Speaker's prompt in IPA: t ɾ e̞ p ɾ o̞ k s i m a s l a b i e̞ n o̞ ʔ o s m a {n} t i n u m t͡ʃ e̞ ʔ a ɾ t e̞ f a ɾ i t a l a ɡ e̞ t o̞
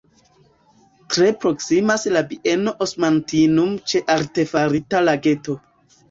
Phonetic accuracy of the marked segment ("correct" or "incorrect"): correct